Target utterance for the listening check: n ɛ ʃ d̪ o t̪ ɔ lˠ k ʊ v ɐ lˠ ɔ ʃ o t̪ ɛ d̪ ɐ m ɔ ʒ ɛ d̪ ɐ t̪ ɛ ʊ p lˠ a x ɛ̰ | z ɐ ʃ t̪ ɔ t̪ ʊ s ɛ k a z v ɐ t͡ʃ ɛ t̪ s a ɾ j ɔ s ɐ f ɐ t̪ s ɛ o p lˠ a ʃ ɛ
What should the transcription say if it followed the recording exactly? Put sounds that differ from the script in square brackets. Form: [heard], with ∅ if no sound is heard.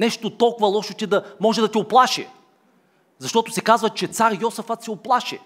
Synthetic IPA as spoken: n ɛ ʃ [t̪] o t̪ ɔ lˠ k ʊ v ɐ lˠ ɔ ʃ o t̪ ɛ d̪ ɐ m ɔ ʒ ɛ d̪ ɐ t̪ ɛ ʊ p lˠ a [ʃ] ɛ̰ | z ɐ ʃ t̪ ɔ t̪ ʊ s ɛ k a z v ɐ t͡ʃ ɛ t̪ s a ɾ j ɔ s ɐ f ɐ t̪ s ɛ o p lˠ a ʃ ɛ